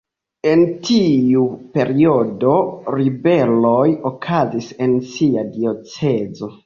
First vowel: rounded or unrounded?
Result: unrounded